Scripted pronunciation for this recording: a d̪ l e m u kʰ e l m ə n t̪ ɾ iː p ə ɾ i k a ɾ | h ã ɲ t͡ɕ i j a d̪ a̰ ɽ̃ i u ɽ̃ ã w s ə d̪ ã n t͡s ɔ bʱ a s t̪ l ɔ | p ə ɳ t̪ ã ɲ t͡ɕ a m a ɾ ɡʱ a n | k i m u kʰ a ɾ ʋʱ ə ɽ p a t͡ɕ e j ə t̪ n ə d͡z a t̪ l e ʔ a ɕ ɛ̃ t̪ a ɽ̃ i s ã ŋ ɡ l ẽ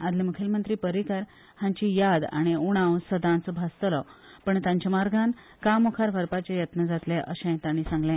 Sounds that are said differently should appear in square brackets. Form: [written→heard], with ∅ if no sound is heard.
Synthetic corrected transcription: a d̪ l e m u kʰ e l m ə n t̪ ɾ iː p ə ɾ i k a ɾ | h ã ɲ t͡ɕ i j a d̪ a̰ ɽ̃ i u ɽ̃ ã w s ə d̪ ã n t͡s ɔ bʱ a s t̪ l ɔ | p ə ɳ t̪ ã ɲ t͡ɕ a m a ɾ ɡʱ a n | k [i→a] m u kʰ a ɾ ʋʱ ə [ɽ→ɾ] p a t͡ɕ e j ə t̪ n ə d͡z a t̪ l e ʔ [a→ə] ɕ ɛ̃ t̪ a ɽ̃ i s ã ŋ ɡ l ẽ